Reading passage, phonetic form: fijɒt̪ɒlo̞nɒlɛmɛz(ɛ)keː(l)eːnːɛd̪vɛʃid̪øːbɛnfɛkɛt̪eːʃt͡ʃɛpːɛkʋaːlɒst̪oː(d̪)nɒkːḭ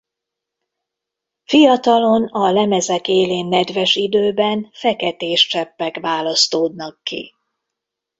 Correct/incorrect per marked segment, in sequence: correct, correct, correct

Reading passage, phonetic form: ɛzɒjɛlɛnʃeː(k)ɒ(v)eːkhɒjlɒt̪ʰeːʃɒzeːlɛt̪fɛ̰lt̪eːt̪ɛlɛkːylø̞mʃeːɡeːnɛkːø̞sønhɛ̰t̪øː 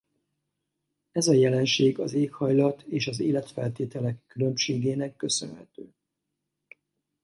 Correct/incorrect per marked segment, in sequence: incorrect, incorrect

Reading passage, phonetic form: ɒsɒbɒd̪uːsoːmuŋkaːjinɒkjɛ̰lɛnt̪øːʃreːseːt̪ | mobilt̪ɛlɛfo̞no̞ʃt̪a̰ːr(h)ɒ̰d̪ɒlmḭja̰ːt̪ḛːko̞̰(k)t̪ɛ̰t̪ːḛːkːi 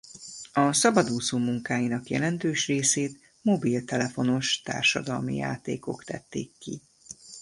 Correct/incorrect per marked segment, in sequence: incorrect, correct

